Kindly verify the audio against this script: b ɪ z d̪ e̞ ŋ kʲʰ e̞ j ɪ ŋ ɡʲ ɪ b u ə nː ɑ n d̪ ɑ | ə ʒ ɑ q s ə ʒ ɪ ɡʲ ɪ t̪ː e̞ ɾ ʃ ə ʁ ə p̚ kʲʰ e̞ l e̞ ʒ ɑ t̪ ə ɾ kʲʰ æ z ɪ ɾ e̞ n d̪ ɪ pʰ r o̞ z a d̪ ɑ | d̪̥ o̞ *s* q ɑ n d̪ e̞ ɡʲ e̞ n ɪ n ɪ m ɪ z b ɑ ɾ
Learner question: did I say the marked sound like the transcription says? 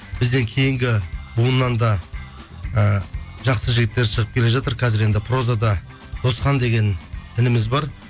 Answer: yes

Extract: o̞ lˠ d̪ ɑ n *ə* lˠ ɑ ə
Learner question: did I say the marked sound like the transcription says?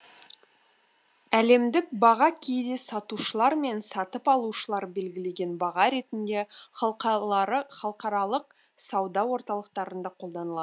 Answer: yes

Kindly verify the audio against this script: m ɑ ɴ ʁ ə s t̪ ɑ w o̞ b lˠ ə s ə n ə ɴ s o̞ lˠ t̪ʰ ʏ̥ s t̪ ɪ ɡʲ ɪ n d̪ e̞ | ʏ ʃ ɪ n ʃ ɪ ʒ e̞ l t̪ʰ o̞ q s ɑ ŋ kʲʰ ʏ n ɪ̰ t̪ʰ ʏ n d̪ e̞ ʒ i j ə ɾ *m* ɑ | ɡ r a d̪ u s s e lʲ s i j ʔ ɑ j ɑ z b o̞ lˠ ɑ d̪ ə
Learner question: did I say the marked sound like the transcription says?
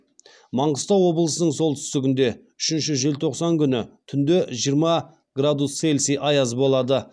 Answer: yes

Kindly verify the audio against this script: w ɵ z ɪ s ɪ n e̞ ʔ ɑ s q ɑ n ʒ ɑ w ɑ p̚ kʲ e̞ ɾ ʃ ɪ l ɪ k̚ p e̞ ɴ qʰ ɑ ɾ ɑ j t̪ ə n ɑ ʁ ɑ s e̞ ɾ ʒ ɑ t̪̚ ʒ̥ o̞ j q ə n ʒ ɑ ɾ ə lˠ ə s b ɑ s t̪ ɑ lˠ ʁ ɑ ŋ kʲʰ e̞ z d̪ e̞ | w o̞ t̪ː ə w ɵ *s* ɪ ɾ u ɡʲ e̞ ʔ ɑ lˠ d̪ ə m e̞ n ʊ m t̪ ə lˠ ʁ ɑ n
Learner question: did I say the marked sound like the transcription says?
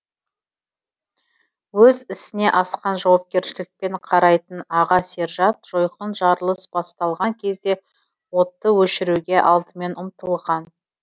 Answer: no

